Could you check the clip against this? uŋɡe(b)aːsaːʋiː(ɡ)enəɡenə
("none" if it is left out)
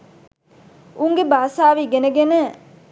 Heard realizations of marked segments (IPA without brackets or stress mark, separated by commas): b, ɡ